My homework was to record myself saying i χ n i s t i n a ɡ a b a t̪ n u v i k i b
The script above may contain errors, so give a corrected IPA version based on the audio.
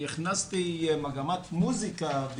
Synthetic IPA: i χ n a s t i m a ɡ a m a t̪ m u z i k a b

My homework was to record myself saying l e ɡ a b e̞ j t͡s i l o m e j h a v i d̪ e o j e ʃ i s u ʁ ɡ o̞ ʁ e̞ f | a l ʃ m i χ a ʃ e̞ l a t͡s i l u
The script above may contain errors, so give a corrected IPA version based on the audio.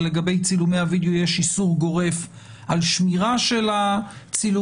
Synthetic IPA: l e ɡ a b e̞ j t͡s i l u m e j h a v i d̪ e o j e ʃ i s u ʁ ɡ o̞ ʁ e̞ f | a l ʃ m i ʁ a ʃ e̞ l a t͡s i l u

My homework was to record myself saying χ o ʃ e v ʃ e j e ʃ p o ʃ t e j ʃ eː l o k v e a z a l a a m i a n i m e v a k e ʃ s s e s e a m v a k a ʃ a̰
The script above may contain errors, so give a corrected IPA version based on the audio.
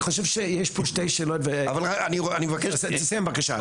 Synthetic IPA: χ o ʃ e v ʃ e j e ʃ p o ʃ t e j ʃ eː l o t v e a v a l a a n i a n i m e v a k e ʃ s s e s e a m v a k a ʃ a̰

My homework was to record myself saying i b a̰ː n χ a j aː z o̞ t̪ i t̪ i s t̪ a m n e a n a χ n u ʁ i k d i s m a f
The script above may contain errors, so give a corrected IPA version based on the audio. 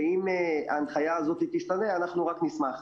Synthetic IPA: i m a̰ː n χ a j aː z o̞ t̪ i t̪ i ʃ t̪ a n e a n a χ n u ʁ a k n i s m a χ

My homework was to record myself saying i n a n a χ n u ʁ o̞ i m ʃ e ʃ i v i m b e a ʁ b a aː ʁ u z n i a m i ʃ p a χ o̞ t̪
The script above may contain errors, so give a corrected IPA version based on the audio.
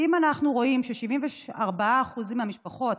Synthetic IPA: i m a n a χ n u ʁ o̞ i m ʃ e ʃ i v i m v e a ʁ b a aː χ u z m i a m i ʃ p a χ o̞ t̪

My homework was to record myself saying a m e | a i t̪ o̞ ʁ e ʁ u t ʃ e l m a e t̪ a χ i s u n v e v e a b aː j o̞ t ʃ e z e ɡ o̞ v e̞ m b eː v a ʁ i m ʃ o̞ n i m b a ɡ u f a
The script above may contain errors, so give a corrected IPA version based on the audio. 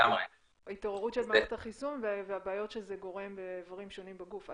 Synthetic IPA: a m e | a i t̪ o̞ ʁ e ʁ u t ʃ e l m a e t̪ a χ i s u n v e v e a b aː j o̞ t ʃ e z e ɡ o̞ ʁ e̞ m b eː v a ʁ i m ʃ o̞ n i m b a ɡ u f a

